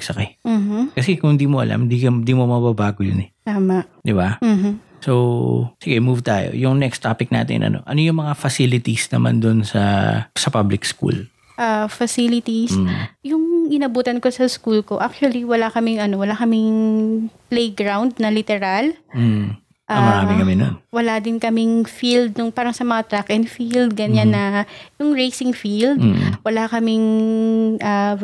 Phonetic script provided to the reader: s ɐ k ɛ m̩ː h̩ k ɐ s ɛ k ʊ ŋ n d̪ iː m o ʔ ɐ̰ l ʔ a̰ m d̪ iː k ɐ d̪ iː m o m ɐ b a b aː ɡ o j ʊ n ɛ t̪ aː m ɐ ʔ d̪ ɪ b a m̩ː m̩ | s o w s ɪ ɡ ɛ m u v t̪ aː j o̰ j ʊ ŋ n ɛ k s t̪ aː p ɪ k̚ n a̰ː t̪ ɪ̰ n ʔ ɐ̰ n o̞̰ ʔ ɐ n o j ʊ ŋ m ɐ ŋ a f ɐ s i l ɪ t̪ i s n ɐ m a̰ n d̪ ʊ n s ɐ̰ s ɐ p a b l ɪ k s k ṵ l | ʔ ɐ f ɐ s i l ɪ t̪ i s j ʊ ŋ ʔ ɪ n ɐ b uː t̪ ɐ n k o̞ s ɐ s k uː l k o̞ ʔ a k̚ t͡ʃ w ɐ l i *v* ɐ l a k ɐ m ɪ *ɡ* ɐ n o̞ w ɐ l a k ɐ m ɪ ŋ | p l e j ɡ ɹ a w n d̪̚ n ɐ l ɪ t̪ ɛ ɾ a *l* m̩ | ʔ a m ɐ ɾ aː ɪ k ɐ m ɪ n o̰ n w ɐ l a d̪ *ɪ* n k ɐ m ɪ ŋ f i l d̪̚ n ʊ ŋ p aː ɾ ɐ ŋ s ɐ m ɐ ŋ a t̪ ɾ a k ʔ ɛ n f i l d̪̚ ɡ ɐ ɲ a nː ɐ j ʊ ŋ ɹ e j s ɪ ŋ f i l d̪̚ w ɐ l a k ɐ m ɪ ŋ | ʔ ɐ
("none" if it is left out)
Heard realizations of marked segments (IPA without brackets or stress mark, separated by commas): w, ŋ, l, ɪ